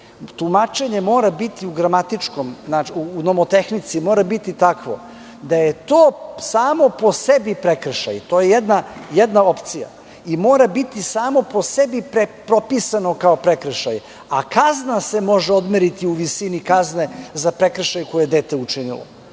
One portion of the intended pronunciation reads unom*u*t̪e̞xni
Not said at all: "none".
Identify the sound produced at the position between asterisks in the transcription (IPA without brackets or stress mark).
o